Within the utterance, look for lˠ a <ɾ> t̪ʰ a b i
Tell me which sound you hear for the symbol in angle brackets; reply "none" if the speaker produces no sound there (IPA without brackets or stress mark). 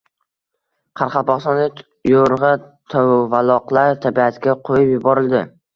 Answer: ɾ